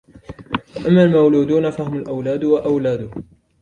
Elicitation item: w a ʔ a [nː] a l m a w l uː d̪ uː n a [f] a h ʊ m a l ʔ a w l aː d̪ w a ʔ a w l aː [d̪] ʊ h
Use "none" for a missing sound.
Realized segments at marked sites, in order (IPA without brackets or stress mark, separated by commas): mː, f, d̪